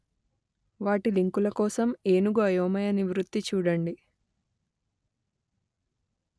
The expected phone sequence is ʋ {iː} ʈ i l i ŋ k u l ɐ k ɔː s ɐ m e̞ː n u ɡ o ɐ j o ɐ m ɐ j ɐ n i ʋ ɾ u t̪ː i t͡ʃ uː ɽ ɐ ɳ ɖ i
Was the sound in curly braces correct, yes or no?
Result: no